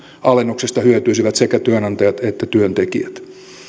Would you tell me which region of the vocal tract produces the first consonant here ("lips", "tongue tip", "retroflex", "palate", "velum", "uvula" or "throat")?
tongue tip